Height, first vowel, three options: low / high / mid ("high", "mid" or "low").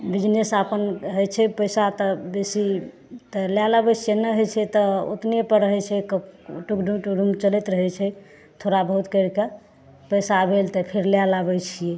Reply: high